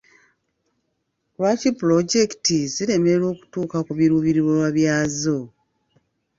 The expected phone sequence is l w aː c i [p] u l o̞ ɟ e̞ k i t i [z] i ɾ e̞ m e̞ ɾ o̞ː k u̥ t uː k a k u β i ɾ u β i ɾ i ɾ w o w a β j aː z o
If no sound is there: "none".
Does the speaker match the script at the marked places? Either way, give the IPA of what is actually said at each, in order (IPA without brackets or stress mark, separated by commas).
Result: p, z